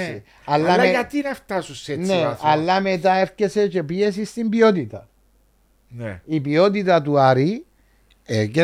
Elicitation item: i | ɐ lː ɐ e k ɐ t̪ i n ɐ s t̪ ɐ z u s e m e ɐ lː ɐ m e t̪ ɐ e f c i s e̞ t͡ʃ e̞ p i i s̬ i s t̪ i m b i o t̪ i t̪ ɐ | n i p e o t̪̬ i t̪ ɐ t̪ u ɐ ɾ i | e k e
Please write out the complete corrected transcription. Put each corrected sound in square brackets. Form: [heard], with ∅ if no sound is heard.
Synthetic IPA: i | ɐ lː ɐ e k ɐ t̪ i n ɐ [f] t̪ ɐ [s] u s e [n] e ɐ lː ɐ m e t̪ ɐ e f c [e] s e̞ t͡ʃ e̞ p i [e] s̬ i s t̪ i m b i o t̪ i t̪ ɐ | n i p [i] o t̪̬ i t̪ ɐ t̪ u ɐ ɾ i | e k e